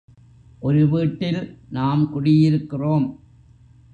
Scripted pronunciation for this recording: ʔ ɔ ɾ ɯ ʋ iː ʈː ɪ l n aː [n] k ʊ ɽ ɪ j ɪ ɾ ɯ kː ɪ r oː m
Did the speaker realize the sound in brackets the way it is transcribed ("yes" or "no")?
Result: no